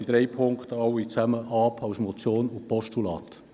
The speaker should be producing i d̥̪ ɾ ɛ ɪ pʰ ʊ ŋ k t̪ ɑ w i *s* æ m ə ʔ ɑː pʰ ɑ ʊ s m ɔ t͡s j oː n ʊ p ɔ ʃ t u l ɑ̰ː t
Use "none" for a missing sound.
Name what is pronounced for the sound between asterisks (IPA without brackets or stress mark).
t͡s